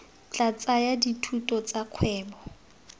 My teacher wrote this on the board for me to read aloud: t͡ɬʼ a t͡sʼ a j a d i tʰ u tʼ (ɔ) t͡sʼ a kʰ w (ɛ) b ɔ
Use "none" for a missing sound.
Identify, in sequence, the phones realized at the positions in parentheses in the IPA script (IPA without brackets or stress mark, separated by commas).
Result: ɔ, ɛː